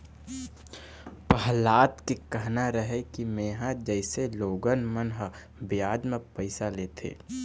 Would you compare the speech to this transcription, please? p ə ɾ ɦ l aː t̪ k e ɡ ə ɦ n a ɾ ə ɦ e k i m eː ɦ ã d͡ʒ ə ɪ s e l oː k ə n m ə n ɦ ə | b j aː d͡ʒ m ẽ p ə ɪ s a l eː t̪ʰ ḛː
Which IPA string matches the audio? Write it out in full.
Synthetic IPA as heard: p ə ɦ l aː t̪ k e k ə ɦ n a ɾ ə ɦ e k i m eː ɦ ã d͡ʒ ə ɪ s e l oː ɡ ə n m ə n ɦ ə | b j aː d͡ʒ m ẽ p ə ɪ s a l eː t̪ʰ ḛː